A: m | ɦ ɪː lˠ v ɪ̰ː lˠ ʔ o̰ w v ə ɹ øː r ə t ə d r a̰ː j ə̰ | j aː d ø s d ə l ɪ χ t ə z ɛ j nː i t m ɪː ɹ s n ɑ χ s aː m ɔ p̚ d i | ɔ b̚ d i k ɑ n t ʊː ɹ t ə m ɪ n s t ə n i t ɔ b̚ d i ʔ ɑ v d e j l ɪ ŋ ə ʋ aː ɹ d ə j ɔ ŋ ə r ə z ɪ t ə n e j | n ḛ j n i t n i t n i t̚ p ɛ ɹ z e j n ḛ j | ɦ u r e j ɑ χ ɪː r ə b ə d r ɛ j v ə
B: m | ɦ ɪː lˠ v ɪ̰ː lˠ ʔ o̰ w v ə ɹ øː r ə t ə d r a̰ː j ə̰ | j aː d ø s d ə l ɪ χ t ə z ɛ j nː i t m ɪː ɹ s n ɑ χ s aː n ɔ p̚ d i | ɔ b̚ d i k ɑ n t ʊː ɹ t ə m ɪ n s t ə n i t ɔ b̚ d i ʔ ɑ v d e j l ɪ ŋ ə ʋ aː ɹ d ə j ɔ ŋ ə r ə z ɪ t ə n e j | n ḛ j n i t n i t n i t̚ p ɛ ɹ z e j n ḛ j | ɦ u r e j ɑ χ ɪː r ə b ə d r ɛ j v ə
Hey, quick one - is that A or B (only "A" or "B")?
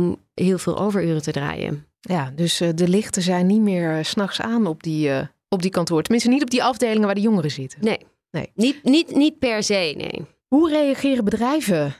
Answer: B